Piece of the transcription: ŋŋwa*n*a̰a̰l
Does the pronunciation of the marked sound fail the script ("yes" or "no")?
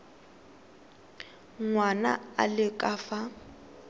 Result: no